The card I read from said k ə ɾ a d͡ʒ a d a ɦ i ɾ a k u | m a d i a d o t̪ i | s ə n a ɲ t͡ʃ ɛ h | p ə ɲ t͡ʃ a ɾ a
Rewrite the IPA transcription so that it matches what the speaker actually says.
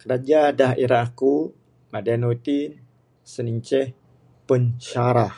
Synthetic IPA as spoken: k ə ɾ a d͡ʒ a d a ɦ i ɾ a k u | m a d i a n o t̪ i | s ə n i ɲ t͡ʃ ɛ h | p ə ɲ t͡ʃ a ɾ a